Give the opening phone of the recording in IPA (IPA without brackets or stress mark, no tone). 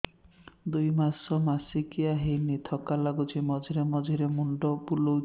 d̪